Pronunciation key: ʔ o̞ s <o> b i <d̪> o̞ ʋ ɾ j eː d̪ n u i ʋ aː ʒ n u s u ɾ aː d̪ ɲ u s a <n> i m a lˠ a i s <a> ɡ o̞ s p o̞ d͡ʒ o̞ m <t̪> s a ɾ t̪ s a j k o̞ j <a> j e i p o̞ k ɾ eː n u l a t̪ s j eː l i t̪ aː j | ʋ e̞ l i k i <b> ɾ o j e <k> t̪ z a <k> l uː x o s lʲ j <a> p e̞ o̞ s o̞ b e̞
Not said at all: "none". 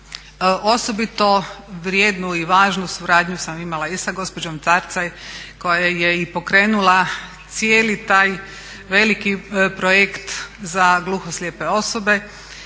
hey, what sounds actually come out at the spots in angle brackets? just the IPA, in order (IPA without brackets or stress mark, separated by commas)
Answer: o, t̪, m, a, t̪, a, p, k, ɡ, e